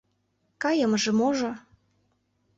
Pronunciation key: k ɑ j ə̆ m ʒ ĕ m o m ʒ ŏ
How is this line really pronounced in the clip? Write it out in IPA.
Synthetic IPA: k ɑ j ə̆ m ʒ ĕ m o ʒ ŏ

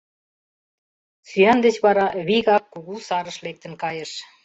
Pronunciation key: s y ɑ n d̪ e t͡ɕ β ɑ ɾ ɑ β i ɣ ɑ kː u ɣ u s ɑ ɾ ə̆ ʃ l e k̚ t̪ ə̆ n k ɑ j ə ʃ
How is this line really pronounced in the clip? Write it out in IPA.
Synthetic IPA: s y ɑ n d̪ e t͡ɕ β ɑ ɾ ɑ β i ɣ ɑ kː u ɣ u s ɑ ɾ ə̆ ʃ l e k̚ t̪ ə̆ n k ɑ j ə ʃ

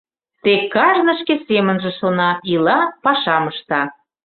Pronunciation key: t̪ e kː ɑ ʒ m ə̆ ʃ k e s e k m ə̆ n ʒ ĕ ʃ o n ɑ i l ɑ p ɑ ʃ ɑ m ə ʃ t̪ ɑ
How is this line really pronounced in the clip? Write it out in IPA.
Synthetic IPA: t̪ e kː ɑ ʒ n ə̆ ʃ k e s e m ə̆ n ʒ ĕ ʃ o n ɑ i l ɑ p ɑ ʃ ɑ m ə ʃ t̪ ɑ

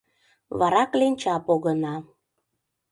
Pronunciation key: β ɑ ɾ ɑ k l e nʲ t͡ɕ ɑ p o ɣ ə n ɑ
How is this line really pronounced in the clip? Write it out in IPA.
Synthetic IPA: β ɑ ɾ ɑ k l e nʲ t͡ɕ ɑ p o ɣ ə n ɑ

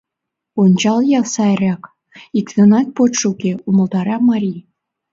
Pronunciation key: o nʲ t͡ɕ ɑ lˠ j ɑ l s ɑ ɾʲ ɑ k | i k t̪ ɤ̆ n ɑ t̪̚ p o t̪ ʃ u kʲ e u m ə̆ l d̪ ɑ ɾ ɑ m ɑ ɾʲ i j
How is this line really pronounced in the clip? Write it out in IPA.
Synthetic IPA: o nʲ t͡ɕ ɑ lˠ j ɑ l s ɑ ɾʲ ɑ k | i k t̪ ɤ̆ n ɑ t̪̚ p o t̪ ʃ u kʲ e u m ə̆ l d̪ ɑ ɾ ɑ m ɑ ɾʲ i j

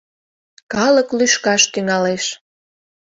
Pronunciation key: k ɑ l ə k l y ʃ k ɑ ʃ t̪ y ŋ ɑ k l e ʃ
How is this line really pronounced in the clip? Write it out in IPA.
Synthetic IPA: k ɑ l ə k l y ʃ k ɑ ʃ t̪ y ŋ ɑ l e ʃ

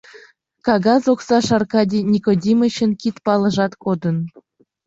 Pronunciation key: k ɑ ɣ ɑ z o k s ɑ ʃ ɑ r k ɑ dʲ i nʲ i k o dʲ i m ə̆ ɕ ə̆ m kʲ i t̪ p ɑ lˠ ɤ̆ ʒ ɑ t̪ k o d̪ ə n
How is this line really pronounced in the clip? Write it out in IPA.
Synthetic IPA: k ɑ ɣ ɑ z o k s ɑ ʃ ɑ r k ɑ dʲ i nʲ i k o dʲ i m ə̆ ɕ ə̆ n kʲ i t̪ p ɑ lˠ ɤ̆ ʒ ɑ t̪ k o d̪ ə n

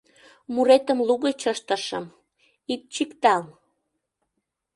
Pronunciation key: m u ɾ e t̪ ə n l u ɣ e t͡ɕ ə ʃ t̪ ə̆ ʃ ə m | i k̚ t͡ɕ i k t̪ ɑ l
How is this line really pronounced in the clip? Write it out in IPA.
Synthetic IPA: m u ɾ e t̪ ə m l u ɣ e t͡ɕ ə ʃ t̪ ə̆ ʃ ə m | i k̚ t͡ɕ i k t̪ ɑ l

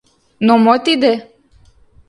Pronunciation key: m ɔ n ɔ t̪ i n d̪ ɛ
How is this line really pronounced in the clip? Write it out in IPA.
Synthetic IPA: n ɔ m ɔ t̪ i d̪ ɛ

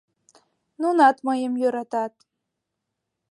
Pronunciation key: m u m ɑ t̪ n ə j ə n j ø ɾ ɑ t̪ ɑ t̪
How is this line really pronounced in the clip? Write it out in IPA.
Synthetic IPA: n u n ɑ t̪ m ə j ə m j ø ɾ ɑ t̪ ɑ t̪

